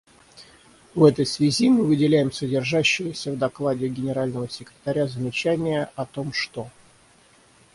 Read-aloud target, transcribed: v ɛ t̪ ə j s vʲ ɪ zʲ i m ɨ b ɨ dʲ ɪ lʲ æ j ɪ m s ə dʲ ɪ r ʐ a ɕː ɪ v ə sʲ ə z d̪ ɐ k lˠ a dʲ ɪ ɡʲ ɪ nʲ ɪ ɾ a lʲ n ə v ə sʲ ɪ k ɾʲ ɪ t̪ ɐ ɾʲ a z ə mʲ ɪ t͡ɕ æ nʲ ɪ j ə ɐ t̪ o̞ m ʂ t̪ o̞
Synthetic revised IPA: v ɛ t̪ ə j s vʲ ɪ zʲ i m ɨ v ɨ dʲ ɪ lʲ æ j ɪ m s ə dʲ ɪ r ʐ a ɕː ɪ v ə sʲ ə v d̪ ɐ k lˠ a dʲ ɪ ɡʲ ɪ nʲ ɪ ɾ a lʲ n ə v ə sʲ ɪ k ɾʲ ɪ t̪ ɐ ɾʲ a z ə mʲ ɪ t͡ɕ æ nʲ ɪ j ə ɐ t̪ o̞ m ʂ t̪ o̞